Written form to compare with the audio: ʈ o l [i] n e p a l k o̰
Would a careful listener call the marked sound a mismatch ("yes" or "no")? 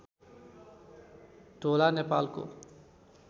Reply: yes